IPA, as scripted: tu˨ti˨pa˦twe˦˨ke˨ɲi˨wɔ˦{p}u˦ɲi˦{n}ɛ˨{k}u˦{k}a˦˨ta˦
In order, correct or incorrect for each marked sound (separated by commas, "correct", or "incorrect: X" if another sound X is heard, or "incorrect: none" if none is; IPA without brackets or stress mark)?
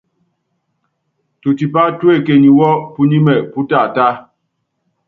correct, incorrect: m, incorrect: p, incorrect: t